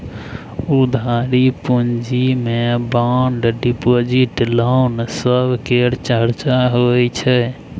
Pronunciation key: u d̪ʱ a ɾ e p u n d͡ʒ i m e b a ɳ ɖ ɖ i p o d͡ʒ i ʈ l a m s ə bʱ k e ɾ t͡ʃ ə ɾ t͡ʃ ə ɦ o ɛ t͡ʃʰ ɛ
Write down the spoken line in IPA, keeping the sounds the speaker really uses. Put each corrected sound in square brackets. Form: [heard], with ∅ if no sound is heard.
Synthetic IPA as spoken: u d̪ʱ a ɾ [i] p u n d͡ʒ i m e b a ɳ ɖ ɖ i p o d͡ʒ i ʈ l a [n] s ə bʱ k e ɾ t͡ʃ ə ɾ t͡ʃ [a] ɦ o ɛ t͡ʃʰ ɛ